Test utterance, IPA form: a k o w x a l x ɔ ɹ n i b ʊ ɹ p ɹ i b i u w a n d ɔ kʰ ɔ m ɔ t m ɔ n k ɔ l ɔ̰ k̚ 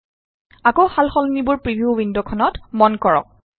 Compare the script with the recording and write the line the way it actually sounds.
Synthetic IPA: a k o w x a l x ɔ l n i b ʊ ɹ p ɹ i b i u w i n d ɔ kʰ ɔ n ɔ t m ɔ n k ɔ ɹ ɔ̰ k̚

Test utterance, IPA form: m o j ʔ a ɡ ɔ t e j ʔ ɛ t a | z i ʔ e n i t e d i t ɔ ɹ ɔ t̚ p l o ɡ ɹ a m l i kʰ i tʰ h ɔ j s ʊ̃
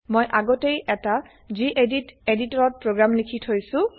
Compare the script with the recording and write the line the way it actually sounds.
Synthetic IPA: m o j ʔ a ɡ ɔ t e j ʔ ɛ t a | z i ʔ e d i t e d i t ɔ ɹ ɔ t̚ p ɹ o ɡ ɹ a m l i kʰ i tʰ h o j s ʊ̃

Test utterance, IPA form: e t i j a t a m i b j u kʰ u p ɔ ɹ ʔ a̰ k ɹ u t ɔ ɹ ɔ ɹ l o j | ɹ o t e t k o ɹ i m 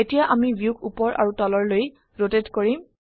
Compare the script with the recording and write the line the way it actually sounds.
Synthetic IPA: e t i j a ʔ a m i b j u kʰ u p ɔ ɹ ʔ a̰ ɹ u t ɔ l ɔ ɹ l o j | ɹ o t e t k o ɹ i m

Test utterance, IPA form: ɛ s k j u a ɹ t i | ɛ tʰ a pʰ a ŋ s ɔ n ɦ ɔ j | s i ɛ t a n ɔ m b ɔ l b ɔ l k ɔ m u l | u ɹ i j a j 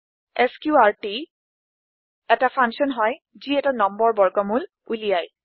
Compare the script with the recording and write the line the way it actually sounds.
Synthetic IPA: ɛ s k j u a ɹ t i | ɛ t a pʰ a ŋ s ɔ n ɦ ɔ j | z i ɛ t a n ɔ m b ɔ ɹ b ɔ ɹ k ɔ m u l | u l i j a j

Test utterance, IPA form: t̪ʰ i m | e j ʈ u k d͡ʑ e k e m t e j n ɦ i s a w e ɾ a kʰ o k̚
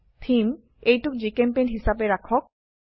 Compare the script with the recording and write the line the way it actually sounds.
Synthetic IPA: t̪ʰ i m | e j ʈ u k d͡ʑ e k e m p e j n ɦ i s a b e ɾ a kʰ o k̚

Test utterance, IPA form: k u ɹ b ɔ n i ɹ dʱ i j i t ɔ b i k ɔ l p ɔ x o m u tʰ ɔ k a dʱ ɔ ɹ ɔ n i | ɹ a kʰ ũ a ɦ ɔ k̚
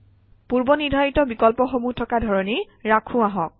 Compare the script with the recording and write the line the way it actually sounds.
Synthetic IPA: p u ɹ b ɔ n i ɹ dʱ a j i t ɔ b i k ɔ l p ɔ x o m u tʰ ɔ k a dʱ ɔ ɹ ɔ n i | ɹ a kʰ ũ a ɦ ɔ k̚

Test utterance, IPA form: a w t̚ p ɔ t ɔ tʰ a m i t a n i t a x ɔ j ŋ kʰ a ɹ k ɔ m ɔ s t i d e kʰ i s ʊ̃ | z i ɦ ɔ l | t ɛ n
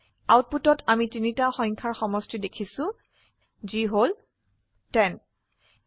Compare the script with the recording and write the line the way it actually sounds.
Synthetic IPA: a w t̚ p u t ɔ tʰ a m i t i n i t a x ɔ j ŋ kʰ a ɹ x ɔ m ɔ s t i d e kʰ i s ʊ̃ | z i ɦ o l | t ɛ n

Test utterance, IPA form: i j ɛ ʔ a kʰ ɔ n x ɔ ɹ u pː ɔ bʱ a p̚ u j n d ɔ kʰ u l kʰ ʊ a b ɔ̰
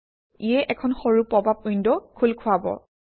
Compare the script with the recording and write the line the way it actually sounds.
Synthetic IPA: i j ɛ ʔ ɛ kʰ ɔ n x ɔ ɹ u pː ɔ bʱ a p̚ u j n d ɔ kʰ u l kʰ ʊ a b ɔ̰

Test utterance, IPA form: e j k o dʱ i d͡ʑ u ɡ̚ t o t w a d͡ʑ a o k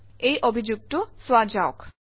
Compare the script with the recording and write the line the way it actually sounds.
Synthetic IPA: e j ʔ o bʱ i d͡ʑ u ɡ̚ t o s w a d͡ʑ a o k

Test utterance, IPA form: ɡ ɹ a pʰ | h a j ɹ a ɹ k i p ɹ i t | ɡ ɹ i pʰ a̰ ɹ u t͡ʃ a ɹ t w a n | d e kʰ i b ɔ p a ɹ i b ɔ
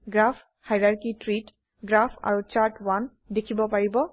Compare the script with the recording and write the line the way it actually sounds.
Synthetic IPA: ɡ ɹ a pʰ | h a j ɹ a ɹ k i t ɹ i t | ɡ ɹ a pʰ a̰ ɹ u t͡ʃ a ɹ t w a n | d e kʰ i b ɔ p a ɹ i b ɔ

